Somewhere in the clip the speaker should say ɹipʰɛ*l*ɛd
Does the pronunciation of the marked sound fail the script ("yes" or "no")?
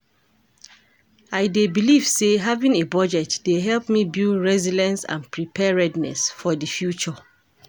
yes